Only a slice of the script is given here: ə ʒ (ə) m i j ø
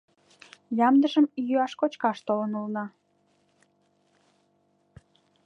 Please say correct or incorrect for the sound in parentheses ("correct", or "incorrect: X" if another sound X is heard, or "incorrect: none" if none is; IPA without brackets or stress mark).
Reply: correct